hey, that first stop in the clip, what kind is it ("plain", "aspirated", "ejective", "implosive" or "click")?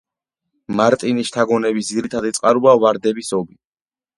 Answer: ejective